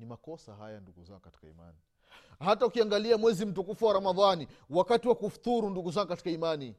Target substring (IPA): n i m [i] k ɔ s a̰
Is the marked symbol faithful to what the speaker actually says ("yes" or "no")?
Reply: no